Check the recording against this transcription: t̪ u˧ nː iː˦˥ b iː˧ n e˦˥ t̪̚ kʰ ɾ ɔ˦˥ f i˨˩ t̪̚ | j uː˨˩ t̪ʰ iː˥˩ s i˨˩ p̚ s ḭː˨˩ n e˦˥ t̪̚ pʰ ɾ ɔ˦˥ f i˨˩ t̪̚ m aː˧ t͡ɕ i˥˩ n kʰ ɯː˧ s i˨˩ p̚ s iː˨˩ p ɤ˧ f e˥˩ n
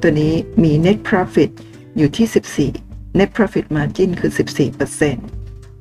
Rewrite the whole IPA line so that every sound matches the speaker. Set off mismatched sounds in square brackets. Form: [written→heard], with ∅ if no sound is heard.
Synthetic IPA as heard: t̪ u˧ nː iː˦˥ [b→m] iː˧ n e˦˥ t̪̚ [kʰ→pʰ] ɾ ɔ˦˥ f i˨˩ t̪̚ | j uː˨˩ t̪ʰ iː˥˩ s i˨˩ p̚ s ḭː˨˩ n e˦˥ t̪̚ pʰ ɾ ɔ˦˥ f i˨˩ t̪̚ m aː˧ t͡ɕ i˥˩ n kʰ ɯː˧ s i˨˩ p̚ s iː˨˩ p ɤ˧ [f→s] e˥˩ n